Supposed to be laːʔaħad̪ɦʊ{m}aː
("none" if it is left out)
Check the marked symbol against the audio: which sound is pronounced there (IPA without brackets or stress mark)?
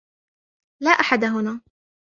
n